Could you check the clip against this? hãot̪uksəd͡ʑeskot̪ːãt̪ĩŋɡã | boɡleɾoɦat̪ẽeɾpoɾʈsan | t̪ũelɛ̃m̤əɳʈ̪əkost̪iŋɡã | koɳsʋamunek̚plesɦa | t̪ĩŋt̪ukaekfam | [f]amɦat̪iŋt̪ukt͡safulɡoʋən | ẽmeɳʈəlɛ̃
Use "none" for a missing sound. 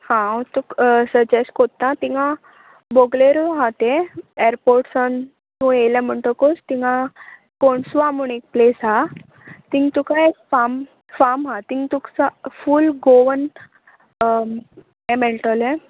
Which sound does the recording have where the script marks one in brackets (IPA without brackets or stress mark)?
f